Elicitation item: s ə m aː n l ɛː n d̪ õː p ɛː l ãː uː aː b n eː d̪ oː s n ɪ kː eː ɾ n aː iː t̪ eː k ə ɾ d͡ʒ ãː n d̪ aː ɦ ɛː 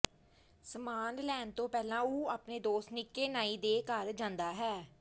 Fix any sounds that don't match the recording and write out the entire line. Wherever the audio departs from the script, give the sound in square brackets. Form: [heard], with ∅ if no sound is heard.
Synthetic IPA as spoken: s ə m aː n l ɛː n [t̪] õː p ɛː l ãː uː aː [p] n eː d̪ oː s n ɪ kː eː [∅] n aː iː [d̪] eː k ə ɾ d͡ʒ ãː n d̪ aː ɦ ɛː